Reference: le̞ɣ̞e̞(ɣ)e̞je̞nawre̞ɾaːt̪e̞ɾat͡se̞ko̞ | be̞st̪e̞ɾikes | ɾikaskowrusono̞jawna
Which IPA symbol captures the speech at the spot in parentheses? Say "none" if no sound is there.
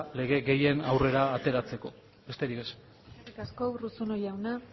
ɣ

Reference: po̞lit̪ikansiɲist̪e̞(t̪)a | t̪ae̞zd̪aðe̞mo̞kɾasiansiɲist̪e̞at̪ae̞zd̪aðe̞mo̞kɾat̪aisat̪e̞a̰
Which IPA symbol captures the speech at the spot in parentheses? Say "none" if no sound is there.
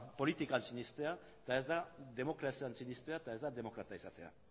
none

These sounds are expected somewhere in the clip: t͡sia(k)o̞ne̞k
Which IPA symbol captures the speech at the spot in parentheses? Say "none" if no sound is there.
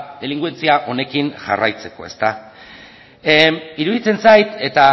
ʔ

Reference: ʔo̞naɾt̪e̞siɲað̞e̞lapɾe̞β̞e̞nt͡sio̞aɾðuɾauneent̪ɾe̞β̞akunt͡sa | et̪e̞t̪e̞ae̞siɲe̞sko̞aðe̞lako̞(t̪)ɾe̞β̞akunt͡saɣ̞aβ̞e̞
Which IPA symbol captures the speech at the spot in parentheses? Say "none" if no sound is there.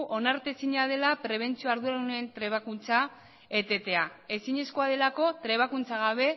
t̪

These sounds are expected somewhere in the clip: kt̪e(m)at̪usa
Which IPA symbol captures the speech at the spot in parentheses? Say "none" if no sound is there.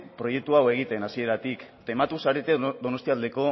m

